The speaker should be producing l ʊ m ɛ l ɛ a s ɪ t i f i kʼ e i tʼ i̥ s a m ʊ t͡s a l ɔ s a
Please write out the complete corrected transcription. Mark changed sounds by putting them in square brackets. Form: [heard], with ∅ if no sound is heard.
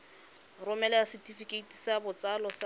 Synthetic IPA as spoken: [r] ʊ m ɛ l ɛ a s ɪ t i f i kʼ e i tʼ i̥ s a [b] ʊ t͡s a l ɔ s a